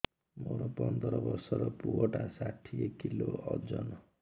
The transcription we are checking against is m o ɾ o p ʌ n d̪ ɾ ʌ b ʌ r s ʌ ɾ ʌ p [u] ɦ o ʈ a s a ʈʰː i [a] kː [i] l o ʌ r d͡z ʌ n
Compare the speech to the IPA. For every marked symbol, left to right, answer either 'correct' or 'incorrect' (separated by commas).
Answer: correct, incorrect, correct